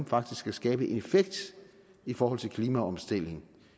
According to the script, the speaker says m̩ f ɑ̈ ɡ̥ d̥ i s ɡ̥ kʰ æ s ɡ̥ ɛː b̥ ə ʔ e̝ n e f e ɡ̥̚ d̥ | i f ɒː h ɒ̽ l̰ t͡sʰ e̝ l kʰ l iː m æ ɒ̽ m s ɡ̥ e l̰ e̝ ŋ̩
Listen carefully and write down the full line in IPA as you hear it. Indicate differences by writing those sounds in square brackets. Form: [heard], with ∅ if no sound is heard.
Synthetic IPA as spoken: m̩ f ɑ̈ ɡ̥ d̥ i s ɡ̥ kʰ æ s ɡ̥ ɛː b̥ ə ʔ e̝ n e f e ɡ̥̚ d̥ | i f ɒː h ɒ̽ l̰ t͡sʰ e̝ l kʰ l iː m æ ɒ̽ m s [d̥] e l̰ e̝ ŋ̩